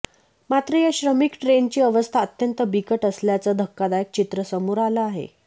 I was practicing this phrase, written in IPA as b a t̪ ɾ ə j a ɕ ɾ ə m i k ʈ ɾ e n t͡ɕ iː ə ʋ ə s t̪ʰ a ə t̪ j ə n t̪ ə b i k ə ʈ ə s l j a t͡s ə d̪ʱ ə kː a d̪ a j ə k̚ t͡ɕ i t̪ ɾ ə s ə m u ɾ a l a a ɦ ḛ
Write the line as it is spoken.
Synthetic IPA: m a t̪ ɾ ə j a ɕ ɾ ə m i k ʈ ɾ e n t͡ɕ iː ə ʋ ə s t̪ʰ a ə t̪ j ə n t̪ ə b i k ə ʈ ə s l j a t͡s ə d̪ʱ ə kː a d̪ a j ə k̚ t͡ɕ i t̪ ɾ ə s ə m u ɾ a l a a ɦ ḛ